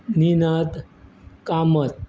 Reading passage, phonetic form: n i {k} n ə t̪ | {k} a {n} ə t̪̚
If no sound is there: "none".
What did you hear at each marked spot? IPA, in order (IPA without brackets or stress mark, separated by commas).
none, k, m